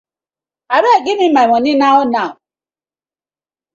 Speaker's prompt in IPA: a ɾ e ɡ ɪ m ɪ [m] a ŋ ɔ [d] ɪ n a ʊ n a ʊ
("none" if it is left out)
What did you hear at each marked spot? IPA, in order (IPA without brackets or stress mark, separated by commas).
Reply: m, n